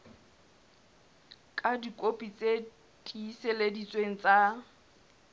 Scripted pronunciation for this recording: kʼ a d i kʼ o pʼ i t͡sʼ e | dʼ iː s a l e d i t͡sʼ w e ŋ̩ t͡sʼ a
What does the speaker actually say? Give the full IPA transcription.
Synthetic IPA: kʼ a d i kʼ o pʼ i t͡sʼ e | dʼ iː s e l e d i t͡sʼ w e ŋ̩ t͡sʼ a